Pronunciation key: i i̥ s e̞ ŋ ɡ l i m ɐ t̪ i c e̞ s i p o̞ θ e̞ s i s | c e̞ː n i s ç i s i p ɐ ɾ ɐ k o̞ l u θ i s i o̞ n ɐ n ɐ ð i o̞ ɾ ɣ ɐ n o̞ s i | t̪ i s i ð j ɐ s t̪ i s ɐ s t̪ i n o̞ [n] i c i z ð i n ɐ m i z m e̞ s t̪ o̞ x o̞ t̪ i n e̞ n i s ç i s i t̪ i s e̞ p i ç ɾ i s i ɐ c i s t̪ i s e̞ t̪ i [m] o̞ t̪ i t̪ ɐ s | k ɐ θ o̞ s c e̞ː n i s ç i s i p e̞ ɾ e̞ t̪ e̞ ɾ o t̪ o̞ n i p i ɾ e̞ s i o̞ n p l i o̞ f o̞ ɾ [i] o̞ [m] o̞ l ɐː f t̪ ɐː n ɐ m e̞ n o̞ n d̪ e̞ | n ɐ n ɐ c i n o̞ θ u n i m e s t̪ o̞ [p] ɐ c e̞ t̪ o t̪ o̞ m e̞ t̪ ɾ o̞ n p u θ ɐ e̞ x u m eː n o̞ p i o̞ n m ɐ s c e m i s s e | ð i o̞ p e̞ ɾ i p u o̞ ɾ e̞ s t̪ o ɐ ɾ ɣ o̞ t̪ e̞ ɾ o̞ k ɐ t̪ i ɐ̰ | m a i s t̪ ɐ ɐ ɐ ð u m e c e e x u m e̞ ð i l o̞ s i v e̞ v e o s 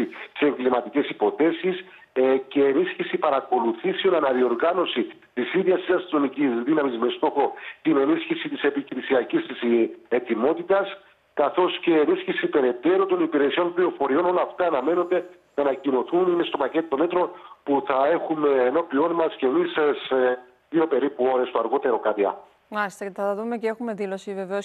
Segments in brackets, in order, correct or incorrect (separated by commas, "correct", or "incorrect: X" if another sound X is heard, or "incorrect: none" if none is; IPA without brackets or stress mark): incorrect: m, correct, correct, incorrect: n, correct